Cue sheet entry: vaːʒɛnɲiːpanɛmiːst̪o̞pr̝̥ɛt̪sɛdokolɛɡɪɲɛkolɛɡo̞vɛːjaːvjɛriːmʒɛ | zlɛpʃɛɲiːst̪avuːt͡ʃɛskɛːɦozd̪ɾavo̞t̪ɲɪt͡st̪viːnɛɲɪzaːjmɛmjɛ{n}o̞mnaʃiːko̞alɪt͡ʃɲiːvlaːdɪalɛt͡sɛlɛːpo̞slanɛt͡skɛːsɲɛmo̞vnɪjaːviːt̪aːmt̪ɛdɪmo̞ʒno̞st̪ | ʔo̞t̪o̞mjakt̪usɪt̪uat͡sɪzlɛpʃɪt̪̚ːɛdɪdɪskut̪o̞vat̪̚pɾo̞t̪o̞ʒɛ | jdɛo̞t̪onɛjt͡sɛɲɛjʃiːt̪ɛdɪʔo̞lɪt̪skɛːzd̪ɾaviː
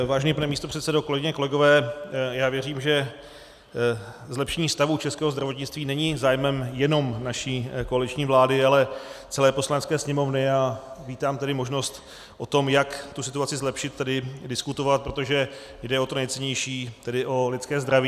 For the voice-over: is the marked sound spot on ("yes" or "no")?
yes